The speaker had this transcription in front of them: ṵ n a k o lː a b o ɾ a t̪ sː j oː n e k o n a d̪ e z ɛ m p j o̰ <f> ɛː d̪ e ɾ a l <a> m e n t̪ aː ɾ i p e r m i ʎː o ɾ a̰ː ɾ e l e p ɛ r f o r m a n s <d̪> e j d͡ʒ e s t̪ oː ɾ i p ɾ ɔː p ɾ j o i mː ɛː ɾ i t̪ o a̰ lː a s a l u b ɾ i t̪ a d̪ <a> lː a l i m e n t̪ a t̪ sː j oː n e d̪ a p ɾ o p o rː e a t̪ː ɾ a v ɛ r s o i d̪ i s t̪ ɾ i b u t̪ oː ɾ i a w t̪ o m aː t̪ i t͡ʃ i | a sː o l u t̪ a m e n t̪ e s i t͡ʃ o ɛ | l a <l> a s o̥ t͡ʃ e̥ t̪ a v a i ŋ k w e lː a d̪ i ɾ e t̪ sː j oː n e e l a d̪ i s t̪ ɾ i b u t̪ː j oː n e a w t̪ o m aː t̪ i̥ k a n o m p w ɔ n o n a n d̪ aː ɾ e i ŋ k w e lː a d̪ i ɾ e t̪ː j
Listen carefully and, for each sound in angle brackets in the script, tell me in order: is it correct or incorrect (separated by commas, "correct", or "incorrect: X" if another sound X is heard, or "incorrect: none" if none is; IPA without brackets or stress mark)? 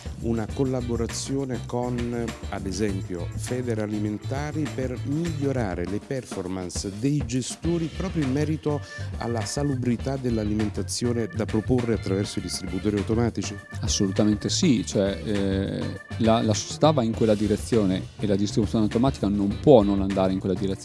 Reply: correct, incorrect: i, correct, incorrect: e, correct